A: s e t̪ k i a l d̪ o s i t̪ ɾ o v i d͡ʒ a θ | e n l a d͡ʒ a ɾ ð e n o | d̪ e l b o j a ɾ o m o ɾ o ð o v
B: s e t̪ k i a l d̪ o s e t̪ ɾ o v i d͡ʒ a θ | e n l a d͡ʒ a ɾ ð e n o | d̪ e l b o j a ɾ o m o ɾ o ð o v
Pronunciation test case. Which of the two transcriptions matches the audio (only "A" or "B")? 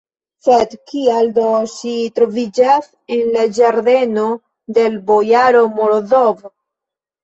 A